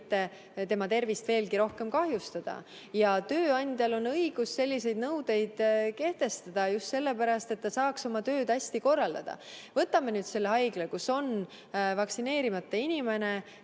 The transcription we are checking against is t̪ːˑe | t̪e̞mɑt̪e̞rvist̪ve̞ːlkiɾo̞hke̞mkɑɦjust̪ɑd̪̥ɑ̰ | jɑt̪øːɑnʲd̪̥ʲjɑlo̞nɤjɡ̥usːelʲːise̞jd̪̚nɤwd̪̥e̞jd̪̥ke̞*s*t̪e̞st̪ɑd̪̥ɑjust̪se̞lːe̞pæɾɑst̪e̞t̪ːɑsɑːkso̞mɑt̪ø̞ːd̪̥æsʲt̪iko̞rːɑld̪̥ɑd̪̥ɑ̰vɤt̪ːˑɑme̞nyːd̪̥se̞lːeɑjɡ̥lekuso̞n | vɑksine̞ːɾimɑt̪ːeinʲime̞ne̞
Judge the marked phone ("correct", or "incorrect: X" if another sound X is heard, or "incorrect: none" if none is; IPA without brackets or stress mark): incorrect: h